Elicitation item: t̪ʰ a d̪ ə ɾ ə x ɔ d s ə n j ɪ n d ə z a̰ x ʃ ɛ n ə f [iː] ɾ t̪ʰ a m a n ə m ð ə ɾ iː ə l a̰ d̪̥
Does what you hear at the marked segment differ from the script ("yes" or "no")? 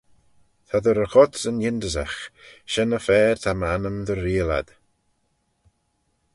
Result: yes